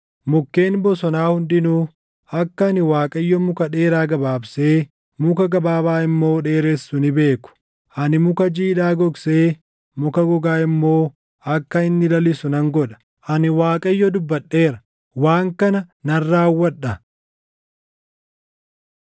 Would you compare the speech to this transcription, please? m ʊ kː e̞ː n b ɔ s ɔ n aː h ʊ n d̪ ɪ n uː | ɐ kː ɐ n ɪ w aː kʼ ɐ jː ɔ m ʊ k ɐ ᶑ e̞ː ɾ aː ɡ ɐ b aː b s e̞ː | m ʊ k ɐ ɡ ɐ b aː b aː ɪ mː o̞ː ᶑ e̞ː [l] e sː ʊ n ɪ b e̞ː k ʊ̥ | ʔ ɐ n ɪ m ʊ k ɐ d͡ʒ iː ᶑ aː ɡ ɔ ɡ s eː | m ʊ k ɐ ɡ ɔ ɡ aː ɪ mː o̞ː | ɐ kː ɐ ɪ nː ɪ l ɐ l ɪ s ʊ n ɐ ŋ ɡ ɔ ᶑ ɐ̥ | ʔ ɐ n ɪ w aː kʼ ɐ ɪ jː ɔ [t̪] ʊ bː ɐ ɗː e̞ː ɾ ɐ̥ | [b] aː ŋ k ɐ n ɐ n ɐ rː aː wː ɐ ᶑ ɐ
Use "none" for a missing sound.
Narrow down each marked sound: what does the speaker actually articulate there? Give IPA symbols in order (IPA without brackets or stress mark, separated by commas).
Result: ɾ, d̪, w